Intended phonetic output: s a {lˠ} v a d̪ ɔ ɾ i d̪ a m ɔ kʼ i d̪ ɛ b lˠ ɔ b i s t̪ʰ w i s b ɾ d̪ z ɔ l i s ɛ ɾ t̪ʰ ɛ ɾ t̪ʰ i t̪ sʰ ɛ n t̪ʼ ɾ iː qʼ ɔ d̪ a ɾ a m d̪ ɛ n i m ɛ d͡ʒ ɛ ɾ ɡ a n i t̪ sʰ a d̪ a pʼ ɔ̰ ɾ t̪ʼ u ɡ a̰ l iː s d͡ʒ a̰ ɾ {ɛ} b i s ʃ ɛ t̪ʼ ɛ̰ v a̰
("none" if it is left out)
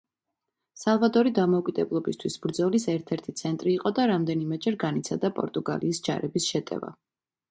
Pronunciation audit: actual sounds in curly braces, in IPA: lˠ, ɛ

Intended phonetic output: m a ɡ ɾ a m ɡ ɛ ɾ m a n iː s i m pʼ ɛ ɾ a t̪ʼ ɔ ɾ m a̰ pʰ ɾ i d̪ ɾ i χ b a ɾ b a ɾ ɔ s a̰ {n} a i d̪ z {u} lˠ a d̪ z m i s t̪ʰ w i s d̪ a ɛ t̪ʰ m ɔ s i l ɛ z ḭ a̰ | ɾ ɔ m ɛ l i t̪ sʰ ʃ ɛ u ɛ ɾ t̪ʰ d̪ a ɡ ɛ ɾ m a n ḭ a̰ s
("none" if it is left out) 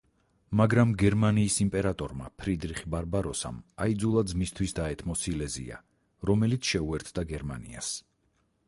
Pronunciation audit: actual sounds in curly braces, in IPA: m, u

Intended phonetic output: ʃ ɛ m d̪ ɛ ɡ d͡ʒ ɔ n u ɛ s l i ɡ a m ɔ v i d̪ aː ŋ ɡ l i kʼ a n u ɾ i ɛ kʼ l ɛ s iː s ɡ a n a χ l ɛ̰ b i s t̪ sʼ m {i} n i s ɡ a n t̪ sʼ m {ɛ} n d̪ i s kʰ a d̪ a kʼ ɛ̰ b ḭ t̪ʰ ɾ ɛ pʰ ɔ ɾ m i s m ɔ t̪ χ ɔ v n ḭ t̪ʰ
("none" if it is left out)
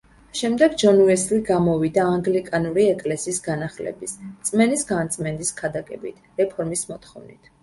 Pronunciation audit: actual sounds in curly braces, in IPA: ɛ, ɛ

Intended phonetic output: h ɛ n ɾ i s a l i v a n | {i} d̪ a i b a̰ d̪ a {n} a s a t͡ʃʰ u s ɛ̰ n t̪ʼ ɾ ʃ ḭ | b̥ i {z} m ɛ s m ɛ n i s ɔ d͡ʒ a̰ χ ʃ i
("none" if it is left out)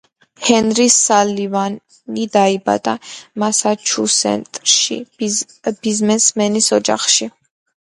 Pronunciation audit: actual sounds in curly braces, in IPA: i, m, z

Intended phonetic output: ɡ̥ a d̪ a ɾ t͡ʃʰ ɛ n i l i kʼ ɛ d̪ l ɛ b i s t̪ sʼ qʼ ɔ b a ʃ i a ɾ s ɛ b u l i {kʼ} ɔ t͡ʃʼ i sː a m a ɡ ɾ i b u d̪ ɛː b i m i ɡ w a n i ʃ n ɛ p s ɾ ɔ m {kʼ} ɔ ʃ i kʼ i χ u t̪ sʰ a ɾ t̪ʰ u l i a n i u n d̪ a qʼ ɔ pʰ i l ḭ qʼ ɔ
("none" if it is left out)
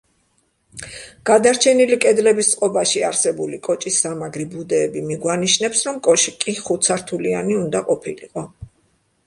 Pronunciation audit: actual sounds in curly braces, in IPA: kʼ, kʼ

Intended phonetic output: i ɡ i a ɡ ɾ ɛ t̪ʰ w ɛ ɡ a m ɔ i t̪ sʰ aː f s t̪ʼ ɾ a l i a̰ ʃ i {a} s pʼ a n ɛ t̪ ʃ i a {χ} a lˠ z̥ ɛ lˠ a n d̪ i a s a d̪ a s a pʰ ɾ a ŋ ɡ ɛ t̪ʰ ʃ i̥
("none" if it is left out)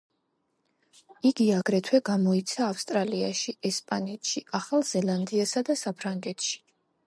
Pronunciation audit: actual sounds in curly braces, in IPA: ɛ, χ

